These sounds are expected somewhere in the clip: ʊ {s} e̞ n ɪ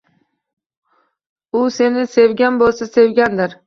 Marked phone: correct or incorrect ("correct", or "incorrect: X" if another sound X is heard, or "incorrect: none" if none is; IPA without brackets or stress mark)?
correct